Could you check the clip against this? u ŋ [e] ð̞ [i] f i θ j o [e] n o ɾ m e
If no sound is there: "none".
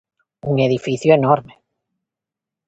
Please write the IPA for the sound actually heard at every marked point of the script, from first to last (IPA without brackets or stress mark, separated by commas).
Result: e, i, e